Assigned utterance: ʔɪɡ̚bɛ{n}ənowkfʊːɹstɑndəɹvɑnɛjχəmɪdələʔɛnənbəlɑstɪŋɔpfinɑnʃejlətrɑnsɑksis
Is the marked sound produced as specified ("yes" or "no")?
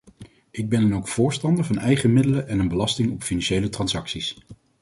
yes